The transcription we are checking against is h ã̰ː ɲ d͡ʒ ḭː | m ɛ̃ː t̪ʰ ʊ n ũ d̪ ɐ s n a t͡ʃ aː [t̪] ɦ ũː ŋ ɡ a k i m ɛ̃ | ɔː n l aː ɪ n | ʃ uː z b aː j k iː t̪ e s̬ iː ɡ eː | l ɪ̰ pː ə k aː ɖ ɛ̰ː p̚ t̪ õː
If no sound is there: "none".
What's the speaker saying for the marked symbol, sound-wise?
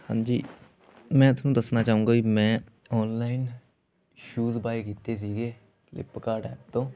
none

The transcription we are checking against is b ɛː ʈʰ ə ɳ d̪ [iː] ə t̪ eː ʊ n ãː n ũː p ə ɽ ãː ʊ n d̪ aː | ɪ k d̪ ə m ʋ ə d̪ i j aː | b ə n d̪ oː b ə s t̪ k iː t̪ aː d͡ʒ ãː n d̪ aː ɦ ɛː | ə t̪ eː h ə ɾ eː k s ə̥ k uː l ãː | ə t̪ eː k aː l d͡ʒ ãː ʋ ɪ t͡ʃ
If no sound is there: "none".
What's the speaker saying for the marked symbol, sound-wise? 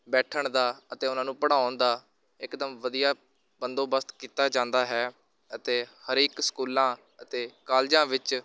aː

